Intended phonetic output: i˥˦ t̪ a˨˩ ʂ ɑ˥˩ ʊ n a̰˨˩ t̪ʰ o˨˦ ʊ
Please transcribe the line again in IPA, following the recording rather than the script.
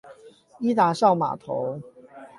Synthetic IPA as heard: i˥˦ t̪ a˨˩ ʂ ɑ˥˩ ʊ m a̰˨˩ t̪ʰ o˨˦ ʊ

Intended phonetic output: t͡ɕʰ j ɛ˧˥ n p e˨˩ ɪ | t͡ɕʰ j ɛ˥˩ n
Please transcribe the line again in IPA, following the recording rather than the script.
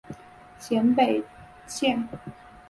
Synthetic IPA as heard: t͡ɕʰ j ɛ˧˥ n p e˨˩ ɪ | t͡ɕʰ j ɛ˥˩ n

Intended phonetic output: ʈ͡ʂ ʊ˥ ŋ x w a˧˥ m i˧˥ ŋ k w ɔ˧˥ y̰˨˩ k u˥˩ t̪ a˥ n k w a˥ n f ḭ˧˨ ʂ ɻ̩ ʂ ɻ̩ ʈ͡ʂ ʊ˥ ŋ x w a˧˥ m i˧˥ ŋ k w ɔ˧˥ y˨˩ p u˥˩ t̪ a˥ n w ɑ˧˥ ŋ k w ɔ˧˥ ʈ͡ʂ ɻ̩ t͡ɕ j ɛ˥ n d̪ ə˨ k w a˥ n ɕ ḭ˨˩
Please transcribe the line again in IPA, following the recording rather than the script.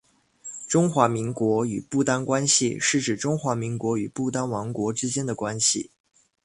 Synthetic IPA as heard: ʈ͡ʂ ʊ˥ ŋ x w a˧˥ m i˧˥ ŋ k w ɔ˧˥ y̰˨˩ p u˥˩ t̪ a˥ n k w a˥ n ɕ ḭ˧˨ ʂ ɻ̩ ʈ͡ʂ ɻ̩ ʈ͡ʂ ʊ˥ ŋ x w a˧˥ m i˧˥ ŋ k w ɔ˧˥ y˨˩ p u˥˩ t̪ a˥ n w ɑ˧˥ ŋ k w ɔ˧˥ ʈ͡ʂ ɻ̩ t͡ɕ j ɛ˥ n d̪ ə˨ k w a˥ n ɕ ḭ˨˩

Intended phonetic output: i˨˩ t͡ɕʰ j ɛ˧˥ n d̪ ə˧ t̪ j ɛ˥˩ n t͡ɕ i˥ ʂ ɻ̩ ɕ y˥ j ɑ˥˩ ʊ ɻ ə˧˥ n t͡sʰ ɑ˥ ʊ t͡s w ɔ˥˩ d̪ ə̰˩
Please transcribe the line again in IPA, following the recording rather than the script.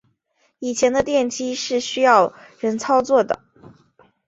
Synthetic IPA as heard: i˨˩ t͡ɕʰ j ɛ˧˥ n d̪ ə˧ t̪ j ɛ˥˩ n t͡ɕ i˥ ʂ ɻ̩ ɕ y˥ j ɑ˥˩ ʊ ɻ ə˧˥ n t͡sʰ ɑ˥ ʊ t͡s w ɔ˥˩ d̪ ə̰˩

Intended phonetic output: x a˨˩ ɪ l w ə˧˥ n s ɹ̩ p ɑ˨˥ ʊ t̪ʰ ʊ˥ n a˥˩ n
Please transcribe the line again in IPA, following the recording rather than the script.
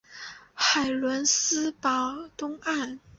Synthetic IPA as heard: x a˨˩ ɪ l w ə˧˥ n s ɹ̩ p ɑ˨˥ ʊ t̪ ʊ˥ ŋ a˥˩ n

